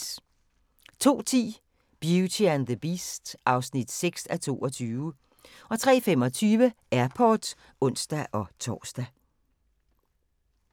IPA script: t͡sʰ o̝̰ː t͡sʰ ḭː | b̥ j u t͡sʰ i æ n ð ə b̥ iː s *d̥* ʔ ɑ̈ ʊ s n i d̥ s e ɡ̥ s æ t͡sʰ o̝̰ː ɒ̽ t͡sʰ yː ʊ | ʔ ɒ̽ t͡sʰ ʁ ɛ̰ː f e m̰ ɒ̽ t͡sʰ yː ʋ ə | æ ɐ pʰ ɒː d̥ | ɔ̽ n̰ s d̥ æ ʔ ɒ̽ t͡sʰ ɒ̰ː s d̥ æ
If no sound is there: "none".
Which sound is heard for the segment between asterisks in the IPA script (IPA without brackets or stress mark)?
d̥